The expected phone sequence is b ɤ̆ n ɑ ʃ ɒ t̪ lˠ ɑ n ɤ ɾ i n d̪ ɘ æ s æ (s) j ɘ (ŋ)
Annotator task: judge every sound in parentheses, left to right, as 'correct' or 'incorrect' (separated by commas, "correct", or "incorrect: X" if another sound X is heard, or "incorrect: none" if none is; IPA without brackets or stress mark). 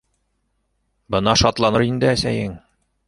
incorrect: none, correct